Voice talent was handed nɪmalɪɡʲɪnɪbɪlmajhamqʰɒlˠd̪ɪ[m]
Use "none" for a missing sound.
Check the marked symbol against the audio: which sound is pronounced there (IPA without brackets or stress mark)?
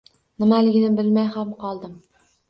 m